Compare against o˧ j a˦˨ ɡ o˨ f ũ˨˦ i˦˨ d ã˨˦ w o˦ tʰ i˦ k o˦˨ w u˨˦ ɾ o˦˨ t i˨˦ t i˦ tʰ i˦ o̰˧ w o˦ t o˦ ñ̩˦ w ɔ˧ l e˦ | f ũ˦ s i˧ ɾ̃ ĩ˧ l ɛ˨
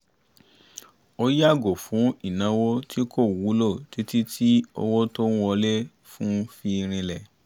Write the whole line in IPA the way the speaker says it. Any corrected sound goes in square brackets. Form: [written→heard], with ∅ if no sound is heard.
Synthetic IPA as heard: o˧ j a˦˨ ɡ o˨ f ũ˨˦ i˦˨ [d→n] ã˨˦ w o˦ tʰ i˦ k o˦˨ w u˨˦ [ɾ→l] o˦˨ t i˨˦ t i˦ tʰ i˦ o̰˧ w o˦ t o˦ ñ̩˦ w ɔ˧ l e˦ | f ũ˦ [s→f] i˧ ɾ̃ ĩ˧ l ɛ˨